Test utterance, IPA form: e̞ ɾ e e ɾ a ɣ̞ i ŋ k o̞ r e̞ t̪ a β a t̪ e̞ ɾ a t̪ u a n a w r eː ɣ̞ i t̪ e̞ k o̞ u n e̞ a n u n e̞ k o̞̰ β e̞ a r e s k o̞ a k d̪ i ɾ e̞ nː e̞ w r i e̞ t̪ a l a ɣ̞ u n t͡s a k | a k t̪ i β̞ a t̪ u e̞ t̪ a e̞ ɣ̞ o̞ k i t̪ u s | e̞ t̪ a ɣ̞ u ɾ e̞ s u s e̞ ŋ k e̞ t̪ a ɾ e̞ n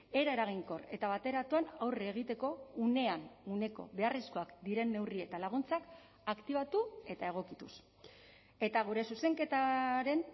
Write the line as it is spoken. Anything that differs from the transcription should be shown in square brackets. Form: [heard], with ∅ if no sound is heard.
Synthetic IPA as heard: e̞ ɾ [a] e ɾ a ɣ̞ i ŋ k o̞ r e̞ t̪ a β a t̪ e̞ ɾ a t̪ u a n a w r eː ɣ̞ i t̪ e̞ k o̞ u n e̞ a n u n e̞ k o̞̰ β e̞ a r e s k o̞ a k d̪ i ɾ e̞ nː e̞ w r i e̞ t̪ a l a ɣ̞ u n t͡s a k | a k t̪ i β̞ a t̪ u e̞ t̪ a e̞ ɣ̞ o̞ k i t̪ u s | e̞ t̪ a ɣ̞ u ɾ e̞ s u s e̞ ŋ k e̞ t̪ a ɾ e̞ n